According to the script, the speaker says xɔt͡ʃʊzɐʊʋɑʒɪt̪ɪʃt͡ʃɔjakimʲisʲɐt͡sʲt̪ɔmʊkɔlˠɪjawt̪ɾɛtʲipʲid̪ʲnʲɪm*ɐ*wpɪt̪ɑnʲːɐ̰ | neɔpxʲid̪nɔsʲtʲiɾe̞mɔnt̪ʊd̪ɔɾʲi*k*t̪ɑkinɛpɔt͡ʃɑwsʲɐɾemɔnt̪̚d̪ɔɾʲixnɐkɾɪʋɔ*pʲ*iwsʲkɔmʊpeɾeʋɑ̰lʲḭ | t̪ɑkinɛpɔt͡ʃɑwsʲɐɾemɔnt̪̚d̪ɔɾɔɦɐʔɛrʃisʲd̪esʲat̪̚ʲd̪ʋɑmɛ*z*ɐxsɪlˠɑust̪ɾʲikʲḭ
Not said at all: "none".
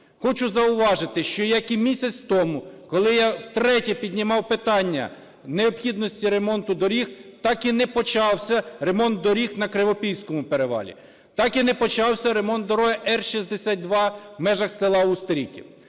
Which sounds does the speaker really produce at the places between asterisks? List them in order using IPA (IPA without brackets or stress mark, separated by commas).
ɑ, x, pʲ, ʒ